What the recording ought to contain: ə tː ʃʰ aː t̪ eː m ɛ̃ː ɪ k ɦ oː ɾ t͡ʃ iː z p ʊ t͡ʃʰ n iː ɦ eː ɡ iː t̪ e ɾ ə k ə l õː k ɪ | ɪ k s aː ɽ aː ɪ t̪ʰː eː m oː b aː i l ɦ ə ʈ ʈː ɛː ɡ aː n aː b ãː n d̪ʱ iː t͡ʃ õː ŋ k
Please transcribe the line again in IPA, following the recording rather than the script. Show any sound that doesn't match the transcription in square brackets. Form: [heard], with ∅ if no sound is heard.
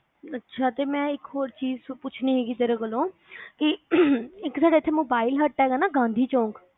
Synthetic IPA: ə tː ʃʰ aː t̪ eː m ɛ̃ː ɪ k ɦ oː ɾ t͡ʃ iː z p ʊ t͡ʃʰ n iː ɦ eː ɡ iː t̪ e ɾ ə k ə l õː k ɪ | ɪ k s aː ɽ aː ɪ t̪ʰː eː m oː b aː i l ɦ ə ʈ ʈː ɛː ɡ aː n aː [ɡ] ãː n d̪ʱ iː t͡ʃ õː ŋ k